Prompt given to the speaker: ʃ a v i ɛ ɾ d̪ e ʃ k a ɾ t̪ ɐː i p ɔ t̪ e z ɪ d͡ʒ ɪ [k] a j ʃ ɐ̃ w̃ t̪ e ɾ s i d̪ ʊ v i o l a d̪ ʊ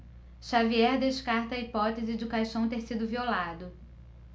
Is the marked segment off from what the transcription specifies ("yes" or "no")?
no